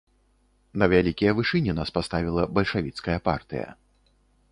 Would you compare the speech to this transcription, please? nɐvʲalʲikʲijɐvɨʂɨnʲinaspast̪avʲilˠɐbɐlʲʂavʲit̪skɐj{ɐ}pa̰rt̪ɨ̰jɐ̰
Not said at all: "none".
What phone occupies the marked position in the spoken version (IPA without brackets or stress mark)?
ɐ